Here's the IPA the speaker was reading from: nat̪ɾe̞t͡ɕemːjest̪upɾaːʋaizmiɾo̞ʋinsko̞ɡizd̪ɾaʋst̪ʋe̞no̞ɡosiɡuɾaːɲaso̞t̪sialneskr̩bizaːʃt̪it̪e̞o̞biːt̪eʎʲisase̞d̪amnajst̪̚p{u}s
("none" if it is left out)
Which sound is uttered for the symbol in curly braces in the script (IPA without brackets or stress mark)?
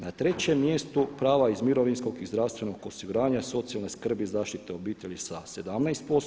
o